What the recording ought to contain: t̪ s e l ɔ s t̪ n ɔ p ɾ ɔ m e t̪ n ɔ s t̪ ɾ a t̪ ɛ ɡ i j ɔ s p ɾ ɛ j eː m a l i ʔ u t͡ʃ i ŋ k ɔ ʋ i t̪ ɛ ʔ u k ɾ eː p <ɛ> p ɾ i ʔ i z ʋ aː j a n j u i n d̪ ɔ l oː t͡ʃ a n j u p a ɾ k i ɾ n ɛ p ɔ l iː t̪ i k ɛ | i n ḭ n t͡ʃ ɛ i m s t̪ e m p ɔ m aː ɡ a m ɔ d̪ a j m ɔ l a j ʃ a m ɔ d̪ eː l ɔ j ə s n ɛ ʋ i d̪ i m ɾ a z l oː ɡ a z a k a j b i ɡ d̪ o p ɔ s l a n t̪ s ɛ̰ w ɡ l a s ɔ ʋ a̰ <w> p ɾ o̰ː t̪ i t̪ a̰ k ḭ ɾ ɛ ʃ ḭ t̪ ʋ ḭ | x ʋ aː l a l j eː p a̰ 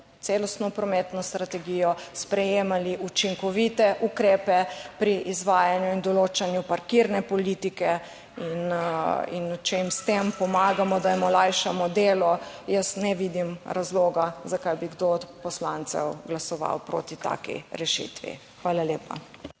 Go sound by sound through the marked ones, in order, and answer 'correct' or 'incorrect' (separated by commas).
correct, correct